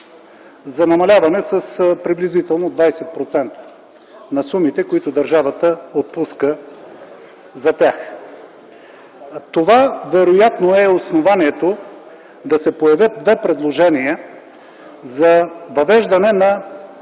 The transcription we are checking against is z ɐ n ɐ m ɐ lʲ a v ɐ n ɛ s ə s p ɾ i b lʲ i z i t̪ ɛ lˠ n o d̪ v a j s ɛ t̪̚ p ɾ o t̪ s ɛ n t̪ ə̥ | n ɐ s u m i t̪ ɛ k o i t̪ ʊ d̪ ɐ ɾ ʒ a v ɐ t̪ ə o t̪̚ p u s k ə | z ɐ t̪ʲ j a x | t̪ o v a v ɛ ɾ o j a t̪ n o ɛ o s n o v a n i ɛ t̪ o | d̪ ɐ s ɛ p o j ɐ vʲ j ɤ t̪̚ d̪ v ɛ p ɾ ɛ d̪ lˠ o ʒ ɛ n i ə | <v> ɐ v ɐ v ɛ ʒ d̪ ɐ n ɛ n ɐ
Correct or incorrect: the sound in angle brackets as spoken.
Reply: incorrect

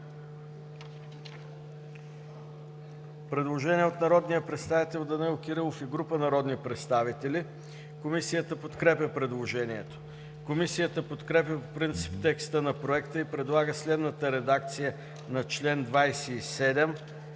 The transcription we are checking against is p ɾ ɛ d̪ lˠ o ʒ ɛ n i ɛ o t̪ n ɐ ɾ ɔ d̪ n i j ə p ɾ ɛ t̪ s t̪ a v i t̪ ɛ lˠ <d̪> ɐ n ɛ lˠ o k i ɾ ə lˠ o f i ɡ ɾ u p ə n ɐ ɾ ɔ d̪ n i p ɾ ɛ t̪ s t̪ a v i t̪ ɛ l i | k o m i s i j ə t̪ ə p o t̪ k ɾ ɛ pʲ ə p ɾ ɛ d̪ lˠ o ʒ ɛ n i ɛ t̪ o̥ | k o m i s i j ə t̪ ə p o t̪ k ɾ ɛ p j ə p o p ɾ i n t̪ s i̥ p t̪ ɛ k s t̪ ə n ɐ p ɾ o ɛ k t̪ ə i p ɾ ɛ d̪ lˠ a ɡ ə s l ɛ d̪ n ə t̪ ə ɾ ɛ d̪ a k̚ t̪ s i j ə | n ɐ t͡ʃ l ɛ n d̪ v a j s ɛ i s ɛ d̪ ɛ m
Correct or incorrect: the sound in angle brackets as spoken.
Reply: correct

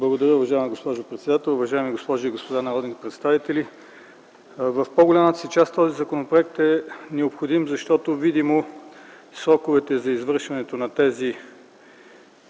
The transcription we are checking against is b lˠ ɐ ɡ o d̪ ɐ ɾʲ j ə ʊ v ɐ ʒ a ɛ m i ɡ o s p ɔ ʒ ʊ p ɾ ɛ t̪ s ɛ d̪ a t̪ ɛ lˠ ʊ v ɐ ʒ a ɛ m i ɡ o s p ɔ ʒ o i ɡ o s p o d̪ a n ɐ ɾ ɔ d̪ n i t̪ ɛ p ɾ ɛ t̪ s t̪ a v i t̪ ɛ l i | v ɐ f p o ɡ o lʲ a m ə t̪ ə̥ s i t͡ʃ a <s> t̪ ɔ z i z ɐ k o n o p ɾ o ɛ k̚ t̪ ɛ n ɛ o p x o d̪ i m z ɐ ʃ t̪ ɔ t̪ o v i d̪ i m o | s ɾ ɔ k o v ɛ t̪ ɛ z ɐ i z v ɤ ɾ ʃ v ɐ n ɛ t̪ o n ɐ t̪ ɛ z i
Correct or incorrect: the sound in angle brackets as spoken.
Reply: correct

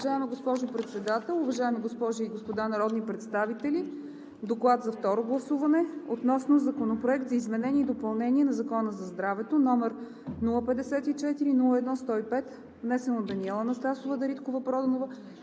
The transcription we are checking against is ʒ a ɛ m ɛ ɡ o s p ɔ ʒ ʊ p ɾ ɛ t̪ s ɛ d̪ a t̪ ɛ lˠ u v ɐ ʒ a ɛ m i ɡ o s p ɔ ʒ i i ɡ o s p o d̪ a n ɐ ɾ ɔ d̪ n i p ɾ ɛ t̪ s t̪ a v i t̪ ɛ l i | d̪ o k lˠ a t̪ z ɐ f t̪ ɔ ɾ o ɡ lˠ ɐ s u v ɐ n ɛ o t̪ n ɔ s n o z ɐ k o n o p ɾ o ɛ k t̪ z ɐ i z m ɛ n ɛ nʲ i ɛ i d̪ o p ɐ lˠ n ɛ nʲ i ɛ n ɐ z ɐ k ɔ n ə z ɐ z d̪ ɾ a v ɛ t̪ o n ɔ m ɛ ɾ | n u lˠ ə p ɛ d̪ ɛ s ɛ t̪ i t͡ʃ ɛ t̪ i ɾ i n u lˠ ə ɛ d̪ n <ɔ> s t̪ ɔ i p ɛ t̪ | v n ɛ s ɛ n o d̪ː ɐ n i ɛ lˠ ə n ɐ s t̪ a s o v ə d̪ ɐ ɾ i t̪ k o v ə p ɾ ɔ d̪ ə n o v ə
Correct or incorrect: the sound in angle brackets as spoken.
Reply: correct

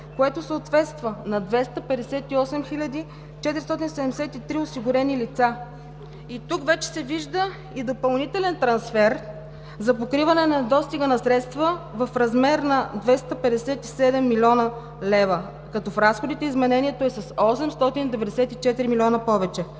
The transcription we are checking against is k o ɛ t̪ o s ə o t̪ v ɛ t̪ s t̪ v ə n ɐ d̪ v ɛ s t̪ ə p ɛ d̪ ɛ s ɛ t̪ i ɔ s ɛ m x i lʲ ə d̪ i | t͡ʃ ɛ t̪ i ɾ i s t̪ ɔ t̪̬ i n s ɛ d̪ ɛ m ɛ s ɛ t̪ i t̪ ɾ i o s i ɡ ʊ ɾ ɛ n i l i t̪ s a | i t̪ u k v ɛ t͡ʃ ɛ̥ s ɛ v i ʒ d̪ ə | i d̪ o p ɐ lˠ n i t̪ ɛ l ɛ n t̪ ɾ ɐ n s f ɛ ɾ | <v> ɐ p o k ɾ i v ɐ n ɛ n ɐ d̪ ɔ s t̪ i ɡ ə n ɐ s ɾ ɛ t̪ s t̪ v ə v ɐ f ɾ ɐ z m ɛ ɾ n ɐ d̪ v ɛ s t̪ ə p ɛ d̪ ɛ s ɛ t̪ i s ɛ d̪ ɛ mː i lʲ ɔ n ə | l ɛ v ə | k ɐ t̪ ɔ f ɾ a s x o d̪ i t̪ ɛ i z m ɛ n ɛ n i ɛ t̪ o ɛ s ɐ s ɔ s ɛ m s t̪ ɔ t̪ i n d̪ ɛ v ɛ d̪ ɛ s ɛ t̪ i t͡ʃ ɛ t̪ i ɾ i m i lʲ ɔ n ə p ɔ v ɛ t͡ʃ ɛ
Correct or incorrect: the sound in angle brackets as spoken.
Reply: incorrect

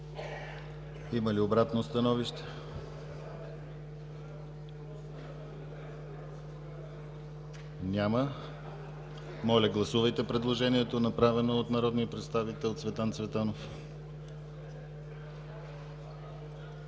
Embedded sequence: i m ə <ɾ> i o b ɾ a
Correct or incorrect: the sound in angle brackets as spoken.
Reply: incorrect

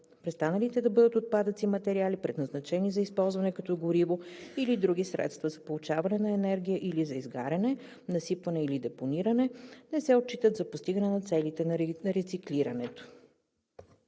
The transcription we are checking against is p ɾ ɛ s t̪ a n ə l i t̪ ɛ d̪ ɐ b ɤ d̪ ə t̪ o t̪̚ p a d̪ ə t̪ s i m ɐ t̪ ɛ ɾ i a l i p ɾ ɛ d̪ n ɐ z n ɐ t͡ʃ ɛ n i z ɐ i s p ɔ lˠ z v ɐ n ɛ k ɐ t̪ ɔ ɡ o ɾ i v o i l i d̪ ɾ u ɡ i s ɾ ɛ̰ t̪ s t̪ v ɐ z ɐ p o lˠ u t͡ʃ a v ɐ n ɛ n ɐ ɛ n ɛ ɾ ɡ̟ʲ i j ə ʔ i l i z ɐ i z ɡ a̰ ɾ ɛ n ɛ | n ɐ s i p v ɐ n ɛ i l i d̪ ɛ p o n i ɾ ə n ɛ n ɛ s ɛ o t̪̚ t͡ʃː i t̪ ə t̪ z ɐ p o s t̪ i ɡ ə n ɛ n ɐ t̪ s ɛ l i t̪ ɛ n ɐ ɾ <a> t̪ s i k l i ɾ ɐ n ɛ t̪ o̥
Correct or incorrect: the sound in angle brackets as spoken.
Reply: incorrect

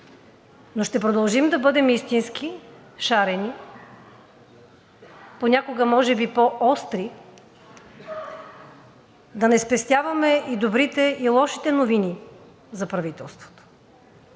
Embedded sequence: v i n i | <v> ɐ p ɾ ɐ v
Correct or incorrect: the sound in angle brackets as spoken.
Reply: incorrect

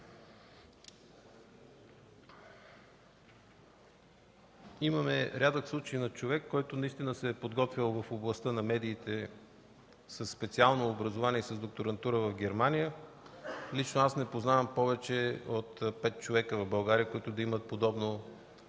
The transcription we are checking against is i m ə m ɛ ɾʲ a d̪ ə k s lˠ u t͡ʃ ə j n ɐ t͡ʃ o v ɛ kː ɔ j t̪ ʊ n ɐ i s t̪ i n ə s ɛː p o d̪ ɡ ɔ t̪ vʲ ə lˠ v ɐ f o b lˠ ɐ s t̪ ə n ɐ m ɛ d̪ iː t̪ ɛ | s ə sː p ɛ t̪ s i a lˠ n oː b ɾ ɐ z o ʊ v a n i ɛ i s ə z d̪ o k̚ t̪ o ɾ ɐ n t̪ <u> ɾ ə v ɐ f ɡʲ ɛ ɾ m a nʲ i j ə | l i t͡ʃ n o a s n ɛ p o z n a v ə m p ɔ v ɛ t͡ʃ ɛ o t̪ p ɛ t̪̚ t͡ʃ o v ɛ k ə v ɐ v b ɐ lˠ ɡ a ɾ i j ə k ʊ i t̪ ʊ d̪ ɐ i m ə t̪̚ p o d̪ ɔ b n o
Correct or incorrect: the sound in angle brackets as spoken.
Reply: correct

